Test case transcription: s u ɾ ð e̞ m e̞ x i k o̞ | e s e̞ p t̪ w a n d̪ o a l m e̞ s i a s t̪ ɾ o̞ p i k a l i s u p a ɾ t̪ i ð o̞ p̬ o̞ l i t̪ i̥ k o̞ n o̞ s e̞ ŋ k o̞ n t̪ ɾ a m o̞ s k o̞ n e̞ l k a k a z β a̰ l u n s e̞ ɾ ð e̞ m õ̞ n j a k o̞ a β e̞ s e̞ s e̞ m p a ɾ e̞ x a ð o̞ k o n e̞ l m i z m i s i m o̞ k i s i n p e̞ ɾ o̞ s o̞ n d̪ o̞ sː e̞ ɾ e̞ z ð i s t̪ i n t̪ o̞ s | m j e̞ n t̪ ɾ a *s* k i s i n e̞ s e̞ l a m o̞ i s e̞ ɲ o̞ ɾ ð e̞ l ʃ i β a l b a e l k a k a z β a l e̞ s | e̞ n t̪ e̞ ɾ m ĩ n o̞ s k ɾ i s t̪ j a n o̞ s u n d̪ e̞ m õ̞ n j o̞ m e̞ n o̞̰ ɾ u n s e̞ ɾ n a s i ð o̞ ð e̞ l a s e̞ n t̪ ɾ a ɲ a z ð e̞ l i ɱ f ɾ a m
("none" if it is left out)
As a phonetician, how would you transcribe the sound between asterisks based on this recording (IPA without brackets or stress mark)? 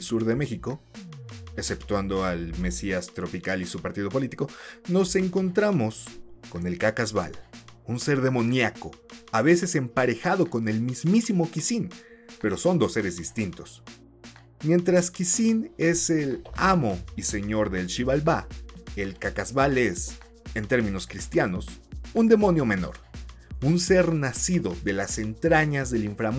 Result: s